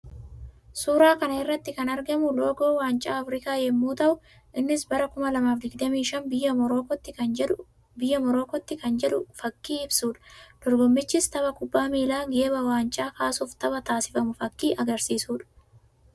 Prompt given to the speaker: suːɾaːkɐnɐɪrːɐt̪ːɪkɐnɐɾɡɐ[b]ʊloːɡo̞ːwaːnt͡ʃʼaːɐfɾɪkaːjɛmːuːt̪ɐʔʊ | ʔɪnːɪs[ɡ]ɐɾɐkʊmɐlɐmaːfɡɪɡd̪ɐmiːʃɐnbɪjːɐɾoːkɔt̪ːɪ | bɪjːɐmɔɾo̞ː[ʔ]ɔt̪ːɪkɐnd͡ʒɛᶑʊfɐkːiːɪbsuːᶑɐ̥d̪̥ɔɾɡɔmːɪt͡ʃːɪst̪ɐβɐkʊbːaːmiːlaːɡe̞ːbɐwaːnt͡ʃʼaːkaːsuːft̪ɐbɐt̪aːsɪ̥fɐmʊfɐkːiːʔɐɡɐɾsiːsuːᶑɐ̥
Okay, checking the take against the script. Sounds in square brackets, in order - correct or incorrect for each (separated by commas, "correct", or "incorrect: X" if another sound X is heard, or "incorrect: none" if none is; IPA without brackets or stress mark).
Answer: incorrect: m, incorrect: b, incorrect: k